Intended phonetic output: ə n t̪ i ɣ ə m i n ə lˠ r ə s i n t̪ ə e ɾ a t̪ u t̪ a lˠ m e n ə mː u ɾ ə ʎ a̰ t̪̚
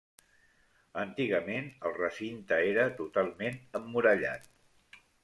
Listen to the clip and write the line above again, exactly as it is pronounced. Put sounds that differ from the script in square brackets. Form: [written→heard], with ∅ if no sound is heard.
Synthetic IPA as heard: ə n t̪ i ɣ ə m [i→e] n ə lˠ r ə s i n t̪ ə e ɾ [a→ə] t̪ u t̪ a lˠ m e n ə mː u ɾ ə ʎ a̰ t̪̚